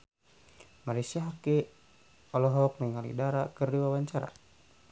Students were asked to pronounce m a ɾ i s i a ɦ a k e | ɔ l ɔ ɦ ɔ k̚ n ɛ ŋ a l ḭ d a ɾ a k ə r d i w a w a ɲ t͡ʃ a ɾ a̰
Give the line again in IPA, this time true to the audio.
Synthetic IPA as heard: m a ɾ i s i a ɦ a k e | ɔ l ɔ ɦ ɔ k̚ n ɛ ŋ a l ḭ d a ɾ a k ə r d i w a w a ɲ t͡ʃ a ɾ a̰